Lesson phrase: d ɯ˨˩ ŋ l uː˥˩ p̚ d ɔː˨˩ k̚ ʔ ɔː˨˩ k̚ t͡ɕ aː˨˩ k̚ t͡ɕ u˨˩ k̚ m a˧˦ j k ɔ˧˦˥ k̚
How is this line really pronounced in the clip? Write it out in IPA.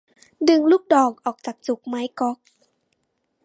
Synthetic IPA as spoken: d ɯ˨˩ ŋ l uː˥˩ k̚ d ɔː˨˩ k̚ ʔ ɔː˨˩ k̚ t͡ɕ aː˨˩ k̚ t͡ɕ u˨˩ k̚ m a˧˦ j k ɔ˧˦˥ k̚